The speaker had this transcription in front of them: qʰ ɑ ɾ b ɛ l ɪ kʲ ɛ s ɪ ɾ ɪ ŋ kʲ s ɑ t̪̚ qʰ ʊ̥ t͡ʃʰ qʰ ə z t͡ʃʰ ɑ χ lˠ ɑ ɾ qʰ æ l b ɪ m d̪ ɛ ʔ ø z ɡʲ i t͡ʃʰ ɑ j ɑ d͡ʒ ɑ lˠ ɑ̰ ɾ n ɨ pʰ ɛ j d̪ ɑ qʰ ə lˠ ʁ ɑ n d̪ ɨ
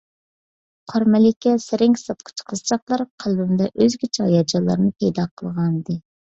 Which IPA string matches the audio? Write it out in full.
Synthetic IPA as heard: qʰ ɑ ɾ m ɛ l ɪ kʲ ɛ s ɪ ɾ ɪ ŋ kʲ s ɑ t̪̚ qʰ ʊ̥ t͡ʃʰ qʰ ə z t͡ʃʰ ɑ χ lˠ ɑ ɾ qʰ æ l b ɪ m d̪ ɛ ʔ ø z ɡʲ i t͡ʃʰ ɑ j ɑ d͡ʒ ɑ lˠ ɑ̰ ɾ n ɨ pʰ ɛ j d̪ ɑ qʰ ə lˠ ʁ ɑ n d̪ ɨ